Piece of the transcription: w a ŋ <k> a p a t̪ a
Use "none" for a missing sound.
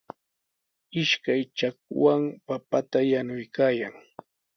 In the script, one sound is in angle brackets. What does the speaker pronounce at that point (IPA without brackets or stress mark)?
p